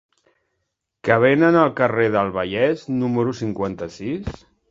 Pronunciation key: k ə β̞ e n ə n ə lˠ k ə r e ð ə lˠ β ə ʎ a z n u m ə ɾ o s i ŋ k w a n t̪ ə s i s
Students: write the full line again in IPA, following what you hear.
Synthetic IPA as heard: k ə β̞ e n ə n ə lˠ k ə r e ð ə lˠ β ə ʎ ɛ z n u m ə ɾ u s i ŋ k w a n t̪ ə s i s

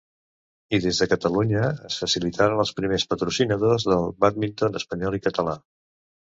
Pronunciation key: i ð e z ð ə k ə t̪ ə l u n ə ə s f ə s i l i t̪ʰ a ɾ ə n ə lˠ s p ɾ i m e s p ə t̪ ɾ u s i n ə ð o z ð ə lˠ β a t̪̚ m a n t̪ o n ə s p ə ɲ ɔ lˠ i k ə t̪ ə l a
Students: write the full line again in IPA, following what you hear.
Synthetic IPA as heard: i ð e z ð ə k ə t̪ ə l u ɲ ə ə s f ə s i l i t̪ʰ a ɾ ə n ə lˠ s p ɾ i m e s p ə t̪ ɾ u s i n ə ð o z ð ə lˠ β a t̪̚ m i n t̪ o n ə s p ə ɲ ɔ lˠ i k ə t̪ ə l a

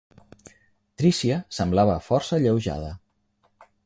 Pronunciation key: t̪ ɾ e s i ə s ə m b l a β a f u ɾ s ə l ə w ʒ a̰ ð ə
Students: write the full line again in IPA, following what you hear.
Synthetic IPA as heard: t̪ ɾ i s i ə s ə m b l a β ə f ɔ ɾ s ə ʎ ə w ʒ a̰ ð ə

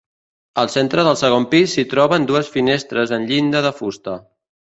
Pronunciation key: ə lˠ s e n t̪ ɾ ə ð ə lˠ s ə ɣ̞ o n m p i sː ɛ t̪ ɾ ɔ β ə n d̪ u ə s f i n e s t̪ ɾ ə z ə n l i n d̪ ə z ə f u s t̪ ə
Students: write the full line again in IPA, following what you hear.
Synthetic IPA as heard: ə lˠ s e n t̪ ɾ ə ð ə lˠ s ə ɣ̞ o m p i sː i t̪ ɾ ɔ β ə n d̪ u ə s f i n e s t̪ ɾ ə z ə n ʎ i n d̪ ə ð ə f u s t̪ ə

